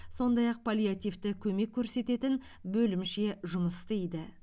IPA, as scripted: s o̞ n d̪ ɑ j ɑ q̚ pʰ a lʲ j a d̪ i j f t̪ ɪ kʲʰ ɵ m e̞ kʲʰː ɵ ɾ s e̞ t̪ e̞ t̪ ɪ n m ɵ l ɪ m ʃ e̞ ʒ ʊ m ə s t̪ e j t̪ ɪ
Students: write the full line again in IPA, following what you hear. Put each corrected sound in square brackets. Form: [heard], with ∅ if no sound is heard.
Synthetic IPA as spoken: s o̞ n d̪ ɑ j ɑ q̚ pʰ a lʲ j a [t̪] i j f t̪ ɪ kʲʰ ɵ m e̞ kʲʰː ɵ ɾ s e̞ t̪ e̞ t̪ ɪ n [b] ɵ l ɪ m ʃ e̞ ʒ ʊ m ə s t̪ e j [d̪] ɪ